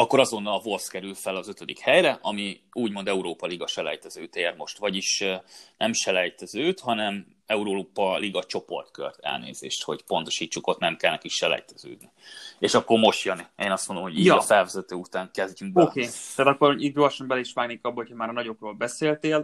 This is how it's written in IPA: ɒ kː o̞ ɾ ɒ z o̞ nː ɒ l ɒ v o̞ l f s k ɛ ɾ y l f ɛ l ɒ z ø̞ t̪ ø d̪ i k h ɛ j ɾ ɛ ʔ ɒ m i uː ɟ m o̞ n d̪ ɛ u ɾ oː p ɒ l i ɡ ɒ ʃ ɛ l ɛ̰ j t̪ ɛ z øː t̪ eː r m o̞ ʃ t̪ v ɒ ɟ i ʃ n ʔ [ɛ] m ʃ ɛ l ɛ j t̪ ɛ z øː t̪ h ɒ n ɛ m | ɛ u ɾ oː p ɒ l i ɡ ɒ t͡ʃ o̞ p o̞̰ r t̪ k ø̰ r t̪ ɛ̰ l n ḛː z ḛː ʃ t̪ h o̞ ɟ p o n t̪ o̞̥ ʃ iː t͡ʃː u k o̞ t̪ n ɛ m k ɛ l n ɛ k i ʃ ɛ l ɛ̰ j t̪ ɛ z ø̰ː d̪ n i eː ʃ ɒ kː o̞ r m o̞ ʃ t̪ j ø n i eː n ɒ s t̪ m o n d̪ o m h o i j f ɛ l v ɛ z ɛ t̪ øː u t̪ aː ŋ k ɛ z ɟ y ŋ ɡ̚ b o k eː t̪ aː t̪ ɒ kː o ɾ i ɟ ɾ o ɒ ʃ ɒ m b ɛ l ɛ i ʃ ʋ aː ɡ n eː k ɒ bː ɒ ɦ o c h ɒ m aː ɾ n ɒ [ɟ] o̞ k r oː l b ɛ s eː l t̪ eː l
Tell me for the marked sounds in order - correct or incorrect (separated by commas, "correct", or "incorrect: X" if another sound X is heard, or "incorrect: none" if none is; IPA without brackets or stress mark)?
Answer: correct, correct